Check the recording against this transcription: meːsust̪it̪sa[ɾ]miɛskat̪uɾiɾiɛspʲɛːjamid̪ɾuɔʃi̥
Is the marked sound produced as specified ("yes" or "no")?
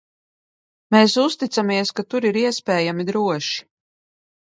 no